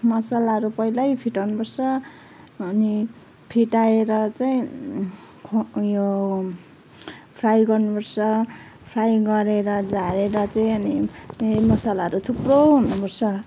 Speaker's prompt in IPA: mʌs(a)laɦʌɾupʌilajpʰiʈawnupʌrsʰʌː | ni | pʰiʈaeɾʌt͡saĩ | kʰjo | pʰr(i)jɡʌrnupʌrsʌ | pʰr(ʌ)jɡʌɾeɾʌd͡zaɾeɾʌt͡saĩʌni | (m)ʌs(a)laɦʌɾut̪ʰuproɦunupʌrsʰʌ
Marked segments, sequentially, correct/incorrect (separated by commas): correct, incorrect, incorrect, correct, correct